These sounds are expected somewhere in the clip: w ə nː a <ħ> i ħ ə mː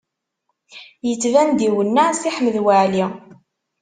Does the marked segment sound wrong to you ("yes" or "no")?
yes